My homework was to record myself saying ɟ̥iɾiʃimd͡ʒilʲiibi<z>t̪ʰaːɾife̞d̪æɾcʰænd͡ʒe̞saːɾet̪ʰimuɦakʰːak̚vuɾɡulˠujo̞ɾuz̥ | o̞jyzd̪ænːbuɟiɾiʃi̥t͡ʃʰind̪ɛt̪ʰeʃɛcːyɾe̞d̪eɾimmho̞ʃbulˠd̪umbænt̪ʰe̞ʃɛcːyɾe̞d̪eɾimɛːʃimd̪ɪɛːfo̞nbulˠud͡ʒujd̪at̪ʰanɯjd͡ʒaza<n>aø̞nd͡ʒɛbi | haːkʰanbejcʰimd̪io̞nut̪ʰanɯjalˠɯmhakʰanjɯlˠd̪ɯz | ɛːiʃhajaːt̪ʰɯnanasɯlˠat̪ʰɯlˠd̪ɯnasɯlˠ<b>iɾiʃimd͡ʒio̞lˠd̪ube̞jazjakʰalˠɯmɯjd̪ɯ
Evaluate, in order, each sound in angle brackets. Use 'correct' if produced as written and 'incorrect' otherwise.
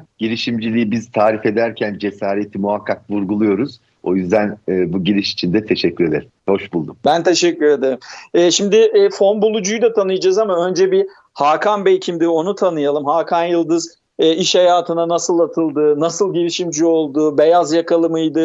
correct, incorrect: m, incorrect: ɟ

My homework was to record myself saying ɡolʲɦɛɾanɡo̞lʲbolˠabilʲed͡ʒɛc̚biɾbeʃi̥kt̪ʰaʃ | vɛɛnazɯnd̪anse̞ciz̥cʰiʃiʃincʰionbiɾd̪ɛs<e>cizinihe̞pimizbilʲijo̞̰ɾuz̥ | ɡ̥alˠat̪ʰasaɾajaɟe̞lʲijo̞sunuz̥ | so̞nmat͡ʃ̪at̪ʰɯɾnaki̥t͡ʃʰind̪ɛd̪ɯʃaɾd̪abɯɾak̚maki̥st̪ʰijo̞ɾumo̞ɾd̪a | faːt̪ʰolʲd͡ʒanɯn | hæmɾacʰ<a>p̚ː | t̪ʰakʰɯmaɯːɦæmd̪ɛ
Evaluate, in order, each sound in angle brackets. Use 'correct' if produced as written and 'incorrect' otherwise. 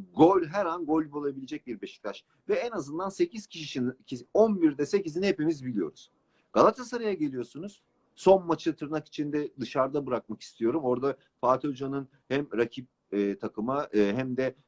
correct, incorrect: i

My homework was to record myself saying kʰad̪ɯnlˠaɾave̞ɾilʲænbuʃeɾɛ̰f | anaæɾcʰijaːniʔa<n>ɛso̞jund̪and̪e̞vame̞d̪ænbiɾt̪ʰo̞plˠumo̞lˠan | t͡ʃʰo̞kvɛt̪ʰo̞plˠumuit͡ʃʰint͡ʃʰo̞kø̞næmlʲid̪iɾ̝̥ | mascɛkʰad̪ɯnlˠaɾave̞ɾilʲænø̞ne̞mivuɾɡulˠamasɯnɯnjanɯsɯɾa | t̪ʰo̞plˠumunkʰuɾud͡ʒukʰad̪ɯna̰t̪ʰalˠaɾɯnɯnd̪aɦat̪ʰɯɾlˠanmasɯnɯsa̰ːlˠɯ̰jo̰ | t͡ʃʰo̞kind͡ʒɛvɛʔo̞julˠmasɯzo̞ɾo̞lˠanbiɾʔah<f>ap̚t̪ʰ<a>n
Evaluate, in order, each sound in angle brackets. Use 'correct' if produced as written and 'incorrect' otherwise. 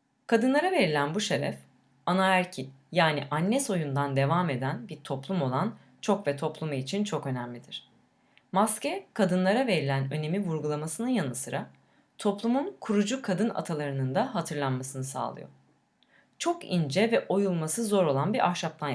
incorrect: nː, incorrect: ʃ, correct

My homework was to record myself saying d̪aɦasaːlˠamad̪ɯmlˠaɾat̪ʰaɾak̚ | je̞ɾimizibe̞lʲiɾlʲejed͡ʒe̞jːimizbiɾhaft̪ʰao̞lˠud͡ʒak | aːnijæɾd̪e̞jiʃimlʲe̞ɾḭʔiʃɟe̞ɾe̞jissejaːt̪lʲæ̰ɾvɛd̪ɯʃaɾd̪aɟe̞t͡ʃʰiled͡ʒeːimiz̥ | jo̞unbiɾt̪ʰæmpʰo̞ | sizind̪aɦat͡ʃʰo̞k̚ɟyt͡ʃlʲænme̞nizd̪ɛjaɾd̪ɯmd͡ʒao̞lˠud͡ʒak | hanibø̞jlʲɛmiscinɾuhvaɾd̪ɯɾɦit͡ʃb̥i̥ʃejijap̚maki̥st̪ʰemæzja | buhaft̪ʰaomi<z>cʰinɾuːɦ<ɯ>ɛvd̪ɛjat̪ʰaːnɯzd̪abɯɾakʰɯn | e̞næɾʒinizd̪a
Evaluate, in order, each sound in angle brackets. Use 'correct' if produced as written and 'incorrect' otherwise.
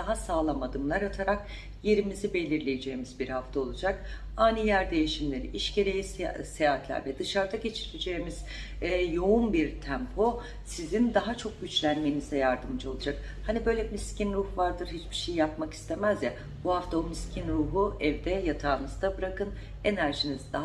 incorrect: s, incorrect: u

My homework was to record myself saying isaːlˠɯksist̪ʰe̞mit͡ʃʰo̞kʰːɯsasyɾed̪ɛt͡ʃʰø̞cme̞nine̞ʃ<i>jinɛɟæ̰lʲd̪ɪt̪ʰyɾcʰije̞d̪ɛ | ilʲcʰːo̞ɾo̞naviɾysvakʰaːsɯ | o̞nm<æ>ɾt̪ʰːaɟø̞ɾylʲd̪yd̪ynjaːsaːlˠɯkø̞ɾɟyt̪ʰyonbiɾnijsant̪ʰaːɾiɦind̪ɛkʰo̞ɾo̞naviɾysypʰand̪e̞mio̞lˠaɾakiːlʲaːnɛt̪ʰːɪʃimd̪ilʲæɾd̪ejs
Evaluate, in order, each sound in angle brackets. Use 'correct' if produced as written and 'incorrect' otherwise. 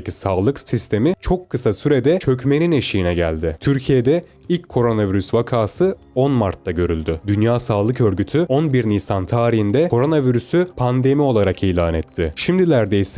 correct, incorrect: a

